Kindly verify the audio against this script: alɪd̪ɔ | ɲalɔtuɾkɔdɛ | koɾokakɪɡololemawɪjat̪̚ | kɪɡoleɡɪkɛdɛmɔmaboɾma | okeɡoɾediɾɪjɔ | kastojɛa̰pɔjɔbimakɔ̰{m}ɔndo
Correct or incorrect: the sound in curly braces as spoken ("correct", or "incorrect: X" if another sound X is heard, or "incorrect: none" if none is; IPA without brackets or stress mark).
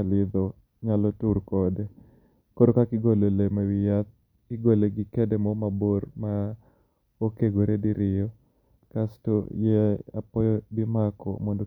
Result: correct